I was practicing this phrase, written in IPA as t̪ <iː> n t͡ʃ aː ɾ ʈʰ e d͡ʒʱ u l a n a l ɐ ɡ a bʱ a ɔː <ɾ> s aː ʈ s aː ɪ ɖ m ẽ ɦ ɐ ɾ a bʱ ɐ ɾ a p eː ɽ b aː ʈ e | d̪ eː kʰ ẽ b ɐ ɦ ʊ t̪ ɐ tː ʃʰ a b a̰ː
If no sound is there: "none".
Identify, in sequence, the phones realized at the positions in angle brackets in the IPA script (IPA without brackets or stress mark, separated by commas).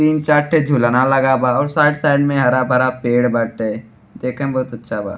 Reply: iː, ɾ